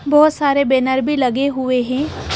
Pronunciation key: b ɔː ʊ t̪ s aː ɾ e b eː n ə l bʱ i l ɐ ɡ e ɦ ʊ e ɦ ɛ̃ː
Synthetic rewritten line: b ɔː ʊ t̪ s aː ɾ e b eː n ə ɾ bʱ i l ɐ ɡ e ɦ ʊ e ɦ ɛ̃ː